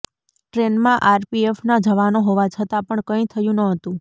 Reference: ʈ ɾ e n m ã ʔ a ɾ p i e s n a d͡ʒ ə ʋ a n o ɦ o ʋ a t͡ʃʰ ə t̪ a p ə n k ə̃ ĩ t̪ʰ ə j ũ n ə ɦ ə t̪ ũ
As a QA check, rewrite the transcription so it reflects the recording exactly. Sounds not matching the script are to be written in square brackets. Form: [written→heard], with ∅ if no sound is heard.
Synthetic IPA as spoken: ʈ ɾ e n m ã ʔ a ɾ p i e [s→f] n a d͡ʒ ə ʋ a n o ɦ o ʋ a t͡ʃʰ ə t̪ a p ə [n→ɳ] k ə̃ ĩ t̪ʰ ə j ũ n ə ɦ ə t̪ ũ

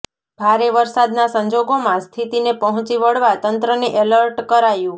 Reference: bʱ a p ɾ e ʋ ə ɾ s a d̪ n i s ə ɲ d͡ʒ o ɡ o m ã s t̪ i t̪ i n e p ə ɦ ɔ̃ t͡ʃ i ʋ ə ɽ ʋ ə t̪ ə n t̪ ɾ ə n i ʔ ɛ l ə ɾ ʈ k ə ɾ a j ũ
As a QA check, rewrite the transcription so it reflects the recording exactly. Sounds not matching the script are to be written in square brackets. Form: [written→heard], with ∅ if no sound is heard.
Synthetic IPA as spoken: bʱ a [p→∅] ɾ e ʋ ə ɾ s a d̪ n [i→a] s ə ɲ d͡ʒ o ɡ o m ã s [t̪→t̪ʰ] i t̪ i n e p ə ɦ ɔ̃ t͡ʃ i ʋ ə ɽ ʋ [ə→a] t̪ ə n t̪ ɾ ə n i ʔ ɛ l ə ɾ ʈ k ə ɾ a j ũ

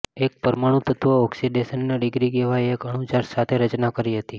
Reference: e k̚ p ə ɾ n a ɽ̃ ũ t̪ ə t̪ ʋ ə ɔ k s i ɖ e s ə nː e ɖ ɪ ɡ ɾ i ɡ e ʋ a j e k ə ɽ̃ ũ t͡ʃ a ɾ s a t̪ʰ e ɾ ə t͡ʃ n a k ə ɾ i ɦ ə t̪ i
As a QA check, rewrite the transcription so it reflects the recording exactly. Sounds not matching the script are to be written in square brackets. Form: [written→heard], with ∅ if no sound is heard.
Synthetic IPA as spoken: e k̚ p ə ɾ [n→m] a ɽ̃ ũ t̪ ə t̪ ʋ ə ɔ k s i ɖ e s ə nː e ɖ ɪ ɡ ɾ i ɡ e ʋ a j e k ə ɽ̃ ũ t͡ʃ a ɾ s a t̪ʰ e ɾ ə t͡ʃ n a k ə ɾ i ɦ ə t̪ i

